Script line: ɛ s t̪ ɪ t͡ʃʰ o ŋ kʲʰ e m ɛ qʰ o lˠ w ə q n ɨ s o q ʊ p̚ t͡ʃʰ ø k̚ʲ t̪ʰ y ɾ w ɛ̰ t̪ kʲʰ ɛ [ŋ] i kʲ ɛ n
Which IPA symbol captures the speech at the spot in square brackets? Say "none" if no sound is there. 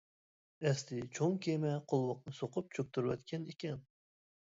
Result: n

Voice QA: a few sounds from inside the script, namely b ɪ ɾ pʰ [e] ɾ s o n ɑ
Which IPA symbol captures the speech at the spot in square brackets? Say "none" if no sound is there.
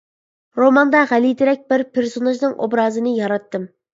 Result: e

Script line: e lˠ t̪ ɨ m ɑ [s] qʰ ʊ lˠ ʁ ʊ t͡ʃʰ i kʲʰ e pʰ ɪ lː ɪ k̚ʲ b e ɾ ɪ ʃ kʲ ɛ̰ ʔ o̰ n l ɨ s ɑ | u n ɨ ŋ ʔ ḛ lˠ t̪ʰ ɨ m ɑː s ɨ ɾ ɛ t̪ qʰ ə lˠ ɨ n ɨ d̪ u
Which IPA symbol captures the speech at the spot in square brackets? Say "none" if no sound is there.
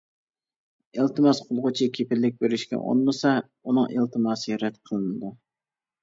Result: s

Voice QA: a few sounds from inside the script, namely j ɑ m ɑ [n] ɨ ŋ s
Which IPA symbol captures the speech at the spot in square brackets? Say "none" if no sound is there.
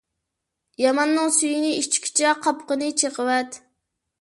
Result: nː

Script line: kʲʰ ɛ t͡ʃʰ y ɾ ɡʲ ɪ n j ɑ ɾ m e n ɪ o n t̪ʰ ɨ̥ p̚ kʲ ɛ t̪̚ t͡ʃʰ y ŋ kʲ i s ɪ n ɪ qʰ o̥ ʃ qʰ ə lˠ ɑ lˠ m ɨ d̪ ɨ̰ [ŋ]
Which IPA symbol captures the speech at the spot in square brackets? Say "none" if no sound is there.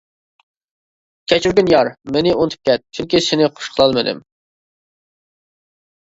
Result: m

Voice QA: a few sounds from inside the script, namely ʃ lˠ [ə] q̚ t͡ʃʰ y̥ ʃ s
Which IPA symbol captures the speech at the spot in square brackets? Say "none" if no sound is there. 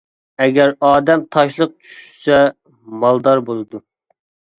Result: ə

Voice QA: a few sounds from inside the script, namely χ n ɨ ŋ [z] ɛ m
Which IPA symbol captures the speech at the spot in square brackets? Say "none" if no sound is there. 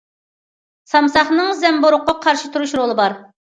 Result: z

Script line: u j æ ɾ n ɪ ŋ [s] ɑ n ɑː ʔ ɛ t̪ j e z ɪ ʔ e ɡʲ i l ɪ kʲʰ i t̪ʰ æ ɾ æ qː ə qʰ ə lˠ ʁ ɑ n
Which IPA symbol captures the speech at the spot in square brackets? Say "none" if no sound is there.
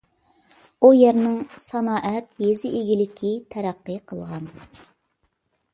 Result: s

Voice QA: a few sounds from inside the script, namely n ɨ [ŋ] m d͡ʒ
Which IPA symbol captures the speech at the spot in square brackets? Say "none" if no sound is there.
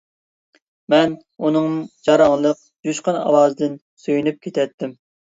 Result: ŋ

